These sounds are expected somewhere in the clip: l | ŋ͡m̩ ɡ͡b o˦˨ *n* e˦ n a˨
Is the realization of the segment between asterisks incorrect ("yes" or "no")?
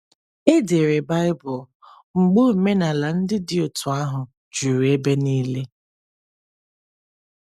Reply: yes